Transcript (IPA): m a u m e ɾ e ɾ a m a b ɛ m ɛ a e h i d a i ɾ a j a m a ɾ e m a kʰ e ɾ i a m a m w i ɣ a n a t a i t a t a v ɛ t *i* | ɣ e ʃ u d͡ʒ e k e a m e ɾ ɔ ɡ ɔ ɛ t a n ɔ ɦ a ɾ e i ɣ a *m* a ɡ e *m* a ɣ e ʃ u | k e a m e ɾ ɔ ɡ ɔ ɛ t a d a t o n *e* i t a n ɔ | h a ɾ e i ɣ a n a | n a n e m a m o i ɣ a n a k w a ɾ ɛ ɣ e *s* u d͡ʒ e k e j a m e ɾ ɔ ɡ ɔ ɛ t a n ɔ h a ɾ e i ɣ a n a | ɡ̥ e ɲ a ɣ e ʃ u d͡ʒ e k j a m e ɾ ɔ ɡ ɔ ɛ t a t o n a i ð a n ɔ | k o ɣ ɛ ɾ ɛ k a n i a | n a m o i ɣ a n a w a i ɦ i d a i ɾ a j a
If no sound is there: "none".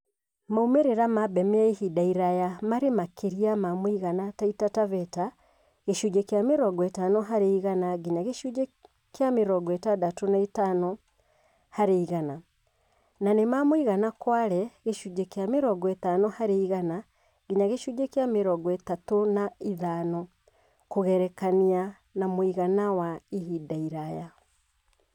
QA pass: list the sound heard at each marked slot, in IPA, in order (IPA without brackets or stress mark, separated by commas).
a, n, ɲ, a, ʃ